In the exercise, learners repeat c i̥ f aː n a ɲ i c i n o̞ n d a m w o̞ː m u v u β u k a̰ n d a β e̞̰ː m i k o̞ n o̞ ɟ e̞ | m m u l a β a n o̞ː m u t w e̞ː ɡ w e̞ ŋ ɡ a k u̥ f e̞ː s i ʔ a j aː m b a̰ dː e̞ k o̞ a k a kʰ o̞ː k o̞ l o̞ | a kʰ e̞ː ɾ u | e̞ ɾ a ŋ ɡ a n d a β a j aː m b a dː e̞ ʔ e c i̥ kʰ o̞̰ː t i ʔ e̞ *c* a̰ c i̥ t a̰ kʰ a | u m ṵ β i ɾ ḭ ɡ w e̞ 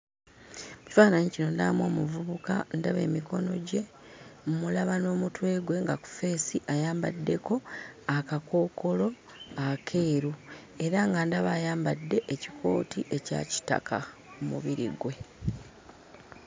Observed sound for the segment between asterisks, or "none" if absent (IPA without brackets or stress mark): c